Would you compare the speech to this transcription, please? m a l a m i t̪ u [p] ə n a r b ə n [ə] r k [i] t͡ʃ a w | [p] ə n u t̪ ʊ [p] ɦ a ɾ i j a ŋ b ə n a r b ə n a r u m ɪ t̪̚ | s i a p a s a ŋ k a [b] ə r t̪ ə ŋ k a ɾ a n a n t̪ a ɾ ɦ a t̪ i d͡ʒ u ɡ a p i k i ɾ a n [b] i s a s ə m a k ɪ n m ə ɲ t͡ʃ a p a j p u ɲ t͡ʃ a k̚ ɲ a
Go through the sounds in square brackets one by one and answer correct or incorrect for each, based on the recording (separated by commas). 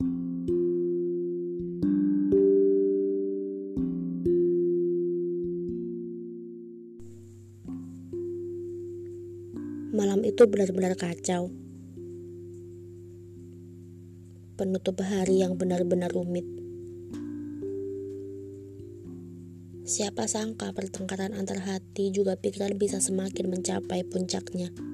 incorrect, incorrect, incorrect, correct, correct, incorrect, correct